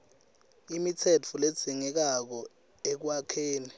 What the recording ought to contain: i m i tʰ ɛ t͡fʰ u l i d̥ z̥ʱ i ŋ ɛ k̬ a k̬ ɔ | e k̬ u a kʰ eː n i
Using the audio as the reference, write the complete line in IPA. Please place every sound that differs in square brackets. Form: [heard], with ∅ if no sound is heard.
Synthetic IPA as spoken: i m i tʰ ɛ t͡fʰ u l [e] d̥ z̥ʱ i ŋ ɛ k̬ a k̬ ɔ | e k̬ [w] a kʰ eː n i

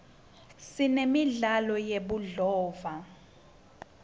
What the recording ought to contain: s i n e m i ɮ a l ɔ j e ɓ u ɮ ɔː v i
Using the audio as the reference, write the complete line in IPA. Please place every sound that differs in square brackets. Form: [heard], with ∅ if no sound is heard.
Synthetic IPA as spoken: s i n e m i ɮ a l ɔ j e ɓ u ɮ ɔː v [a]

